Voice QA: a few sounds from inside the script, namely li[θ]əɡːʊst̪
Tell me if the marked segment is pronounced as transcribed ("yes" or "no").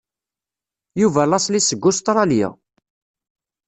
no